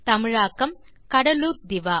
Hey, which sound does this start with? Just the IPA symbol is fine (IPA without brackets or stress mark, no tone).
t̪